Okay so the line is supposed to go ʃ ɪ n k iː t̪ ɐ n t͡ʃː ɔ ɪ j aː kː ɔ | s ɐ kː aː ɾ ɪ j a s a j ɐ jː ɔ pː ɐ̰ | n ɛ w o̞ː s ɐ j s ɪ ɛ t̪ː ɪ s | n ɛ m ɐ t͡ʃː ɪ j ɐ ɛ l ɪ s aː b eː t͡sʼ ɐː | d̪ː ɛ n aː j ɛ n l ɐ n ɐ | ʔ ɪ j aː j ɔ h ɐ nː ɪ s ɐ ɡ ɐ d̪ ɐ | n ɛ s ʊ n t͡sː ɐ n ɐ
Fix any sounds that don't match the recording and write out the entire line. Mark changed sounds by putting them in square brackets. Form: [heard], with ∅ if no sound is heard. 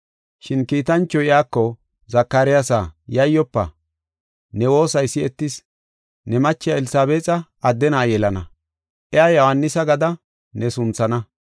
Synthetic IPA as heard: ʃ ɪ n k iː t̪ ɐ n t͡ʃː ɔ ɪ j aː kː ɔ | [z] ɐ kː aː ɾ ɪ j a s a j ɐ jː ɔ pː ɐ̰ | n ɛ w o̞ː s ɐ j s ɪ ɛ t̪ː ɪ s | n ɛ m ɐ t͡ʃː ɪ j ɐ ɛ l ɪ s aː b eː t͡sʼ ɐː | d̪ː ɛ n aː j ɛ [∅] l ɐ n ɐ | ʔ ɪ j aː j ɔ h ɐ nː ɪ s ɐ ɡ ɐ d̪ ɐ | n ɛ s ʊ n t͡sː ɐ n ɐ